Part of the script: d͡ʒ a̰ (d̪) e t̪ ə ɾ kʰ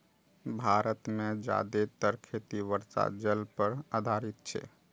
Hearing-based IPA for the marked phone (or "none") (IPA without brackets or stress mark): d̪